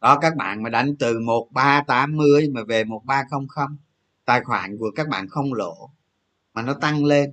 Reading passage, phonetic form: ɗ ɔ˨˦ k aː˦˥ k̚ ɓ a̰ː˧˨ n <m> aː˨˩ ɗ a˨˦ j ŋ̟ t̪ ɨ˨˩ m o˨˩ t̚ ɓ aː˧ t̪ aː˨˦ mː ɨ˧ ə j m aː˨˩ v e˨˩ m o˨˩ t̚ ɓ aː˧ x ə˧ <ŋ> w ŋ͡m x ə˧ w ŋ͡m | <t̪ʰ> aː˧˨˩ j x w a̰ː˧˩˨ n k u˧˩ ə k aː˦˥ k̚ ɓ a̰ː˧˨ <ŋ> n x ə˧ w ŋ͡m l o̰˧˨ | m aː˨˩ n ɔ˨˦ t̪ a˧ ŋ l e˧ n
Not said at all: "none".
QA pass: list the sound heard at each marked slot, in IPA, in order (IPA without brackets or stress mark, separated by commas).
m, none, t̪, none